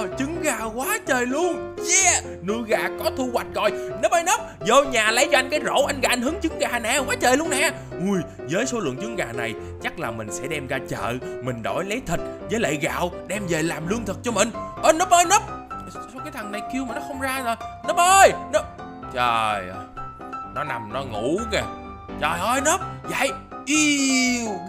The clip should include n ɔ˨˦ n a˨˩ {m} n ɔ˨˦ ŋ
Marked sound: correct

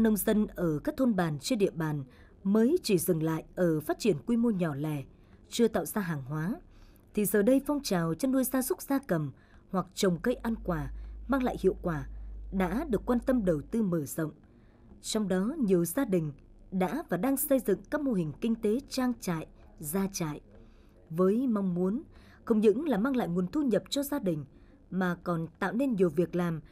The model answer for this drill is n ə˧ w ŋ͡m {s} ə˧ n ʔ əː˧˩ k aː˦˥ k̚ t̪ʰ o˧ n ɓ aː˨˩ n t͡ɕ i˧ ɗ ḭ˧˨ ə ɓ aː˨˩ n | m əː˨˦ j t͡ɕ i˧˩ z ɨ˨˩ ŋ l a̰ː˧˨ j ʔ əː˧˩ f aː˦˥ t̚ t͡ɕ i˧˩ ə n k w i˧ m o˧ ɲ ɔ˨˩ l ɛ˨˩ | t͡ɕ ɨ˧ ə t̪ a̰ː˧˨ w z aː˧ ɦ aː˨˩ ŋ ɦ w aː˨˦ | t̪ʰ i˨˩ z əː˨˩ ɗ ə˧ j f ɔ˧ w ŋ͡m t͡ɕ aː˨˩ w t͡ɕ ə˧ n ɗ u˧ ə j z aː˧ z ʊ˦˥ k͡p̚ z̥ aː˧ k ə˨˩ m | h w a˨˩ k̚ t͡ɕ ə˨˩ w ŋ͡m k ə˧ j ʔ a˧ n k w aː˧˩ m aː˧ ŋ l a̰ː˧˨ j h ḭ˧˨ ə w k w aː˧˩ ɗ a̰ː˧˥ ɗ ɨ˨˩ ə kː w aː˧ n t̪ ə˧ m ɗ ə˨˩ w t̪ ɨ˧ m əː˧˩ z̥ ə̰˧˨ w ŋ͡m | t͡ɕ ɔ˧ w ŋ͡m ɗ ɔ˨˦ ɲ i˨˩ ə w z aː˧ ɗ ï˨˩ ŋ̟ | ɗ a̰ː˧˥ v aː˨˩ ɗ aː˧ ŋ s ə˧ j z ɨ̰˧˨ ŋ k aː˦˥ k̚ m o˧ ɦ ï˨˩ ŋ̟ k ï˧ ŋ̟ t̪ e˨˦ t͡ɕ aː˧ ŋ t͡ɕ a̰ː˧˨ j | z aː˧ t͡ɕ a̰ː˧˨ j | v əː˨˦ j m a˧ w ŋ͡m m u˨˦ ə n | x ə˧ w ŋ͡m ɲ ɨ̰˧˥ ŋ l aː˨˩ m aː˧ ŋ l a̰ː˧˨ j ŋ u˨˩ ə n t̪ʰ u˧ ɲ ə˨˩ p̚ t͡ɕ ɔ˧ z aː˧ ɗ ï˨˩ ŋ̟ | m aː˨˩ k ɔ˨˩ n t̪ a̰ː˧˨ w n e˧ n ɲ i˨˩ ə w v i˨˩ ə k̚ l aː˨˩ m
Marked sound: incorrect: z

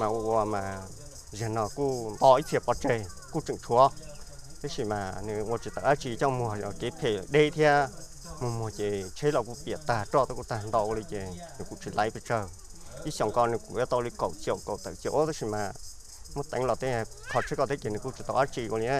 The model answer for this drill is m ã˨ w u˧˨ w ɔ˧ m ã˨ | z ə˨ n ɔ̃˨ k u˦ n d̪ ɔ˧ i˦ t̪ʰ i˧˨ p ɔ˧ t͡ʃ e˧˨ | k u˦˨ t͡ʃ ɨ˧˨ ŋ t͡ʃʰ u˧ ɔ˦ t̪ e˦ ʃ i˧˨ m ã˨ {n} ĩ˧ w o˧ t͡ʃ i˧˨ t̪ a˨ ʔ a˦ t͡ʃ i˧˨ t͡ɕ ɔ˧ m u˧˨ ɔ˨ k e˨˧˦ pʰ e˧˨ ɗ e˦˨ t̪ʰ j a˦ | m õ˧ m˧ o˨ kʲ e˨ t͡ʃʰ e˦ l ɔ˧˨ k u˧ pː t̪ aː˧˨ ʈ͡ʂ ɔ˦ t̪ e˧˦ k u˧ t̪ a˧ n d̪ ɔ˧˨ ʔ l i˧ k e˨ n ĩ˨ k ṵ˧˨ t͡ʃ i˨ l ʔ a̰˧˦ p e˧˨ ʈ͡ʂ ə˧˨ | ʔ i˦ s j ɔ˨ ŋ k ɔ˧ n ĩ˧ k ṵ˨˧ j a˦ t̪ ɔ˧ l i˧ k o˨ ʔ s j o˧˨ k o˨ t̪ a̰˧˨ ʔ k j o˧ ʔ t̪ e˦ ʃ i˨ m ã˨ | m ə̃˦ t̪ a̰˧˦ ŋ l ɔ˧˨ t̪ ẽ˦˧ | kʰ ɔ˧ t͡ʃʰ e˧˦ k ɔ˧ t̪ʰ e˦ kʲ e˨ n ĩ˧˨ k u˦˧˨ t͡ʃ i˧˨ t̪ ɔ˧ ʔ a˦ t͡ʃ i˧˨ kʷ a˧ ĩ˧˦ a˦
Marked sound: correct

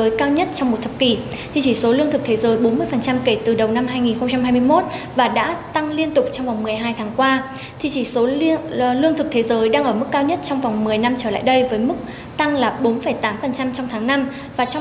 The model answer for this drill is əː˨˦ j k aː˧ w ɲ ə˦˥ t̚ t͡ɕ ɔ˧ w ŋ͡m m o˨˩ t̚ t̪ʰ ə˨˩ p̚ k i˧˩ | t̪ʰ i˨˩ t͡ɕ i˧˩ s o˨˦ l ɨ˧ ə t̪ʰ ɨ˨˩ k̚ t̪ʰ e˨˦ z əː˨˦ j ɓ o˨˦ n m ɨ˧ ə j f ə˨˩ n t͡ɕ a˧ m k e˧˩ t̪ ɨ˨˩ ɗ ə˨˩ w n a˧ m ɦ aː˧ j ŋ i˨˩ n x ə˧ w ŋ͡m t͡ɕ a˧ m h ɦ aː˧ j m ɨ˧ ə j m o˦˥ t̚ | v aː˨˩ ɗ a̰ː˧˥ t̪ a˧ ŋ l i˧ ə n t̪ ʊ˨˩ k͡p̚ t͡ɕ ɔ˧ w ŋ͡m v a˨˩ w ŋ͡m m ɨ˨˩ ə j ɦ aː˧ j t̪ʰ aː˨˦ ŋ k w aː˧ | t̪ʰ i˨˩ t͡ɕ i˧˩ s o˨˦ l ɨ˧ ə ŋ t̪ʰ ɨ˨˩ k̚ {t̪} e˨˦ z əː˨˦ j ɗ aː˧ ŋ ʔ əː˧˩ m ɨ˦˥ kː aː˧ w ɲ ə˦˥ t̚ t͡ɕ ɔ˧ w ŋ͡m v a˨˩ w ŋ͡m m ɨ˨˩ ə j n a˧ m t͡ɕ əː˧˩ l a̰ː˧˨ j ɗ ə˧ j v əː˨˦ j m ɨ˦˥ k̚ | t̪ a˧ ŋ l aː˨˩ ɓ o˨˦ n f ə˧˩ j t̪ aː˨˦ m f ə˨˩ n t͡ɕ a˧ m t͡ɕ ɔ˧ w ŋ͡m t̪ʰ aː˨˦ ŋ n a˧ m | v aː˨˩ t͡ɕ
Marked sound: incorrect: t̪ʰ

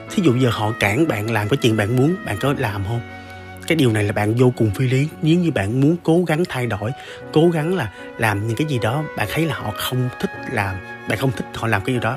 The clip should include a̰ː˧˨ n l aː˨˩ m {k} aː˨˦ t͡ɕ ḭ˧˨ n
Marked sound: correct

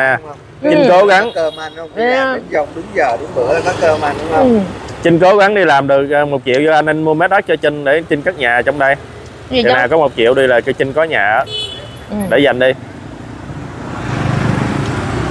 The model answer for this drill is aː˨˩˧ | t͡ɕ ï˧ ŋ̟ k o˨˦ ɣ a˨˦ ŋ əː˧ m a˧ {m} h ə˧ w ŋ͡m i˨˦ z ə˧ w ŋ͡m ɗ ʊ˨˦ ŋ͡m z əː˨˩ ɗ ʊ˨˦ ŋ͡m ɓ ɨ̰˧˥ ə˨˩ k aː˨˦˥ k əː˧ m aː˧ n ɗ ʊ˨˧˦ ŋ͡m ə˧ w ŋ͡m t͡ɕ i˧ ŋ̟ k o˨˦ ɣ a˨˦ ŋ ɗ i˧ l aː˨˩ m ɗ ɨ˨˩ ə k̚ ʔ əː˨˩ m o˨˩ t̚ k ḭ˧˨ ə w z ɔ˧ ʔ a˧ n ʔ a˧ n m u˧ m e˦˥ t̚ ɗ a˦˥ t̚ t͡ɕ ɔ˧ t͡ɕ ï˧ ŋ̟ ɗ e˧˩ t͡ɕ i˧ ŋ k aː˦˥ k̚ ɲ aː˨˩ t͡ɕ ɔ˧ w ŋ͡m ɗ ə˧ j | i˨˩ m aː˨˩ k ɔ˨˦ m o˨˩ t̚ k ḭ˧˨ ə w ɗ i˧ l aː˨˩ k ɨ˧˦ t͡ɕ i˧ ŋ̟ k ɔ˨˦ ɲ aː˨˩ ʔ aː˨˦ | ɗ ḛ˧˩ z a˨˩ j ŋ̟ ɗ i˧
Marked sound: incorrect: n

